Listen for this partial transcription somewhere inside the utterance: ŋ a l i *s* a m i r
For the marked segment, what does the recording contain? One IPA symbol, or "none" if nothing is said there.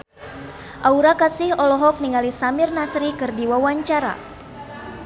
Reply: s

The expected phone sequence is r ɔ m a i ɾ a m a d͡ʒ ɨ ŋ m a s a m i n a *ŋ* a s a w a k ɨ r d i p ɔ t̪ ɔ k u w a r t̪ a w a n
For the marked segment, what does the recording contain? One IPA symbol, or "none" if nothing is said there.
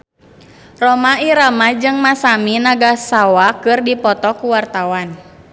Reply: ɡ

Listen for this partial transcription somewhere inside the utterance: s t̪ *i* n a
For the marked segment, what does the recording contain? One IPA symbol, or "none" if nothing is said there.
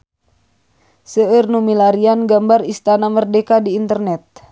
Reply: a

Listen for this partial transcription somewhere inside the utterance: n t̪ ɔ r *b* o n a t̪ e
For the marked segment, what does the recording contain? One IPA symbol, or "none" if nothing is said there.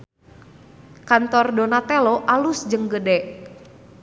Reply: d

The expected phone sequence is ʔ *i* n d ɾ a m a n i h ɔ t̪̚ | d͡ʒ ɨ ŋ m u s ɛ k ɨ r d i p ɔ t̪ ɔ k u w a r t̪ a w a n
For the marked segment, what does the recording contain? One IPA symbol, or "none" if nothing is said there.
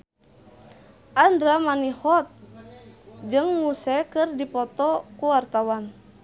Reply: a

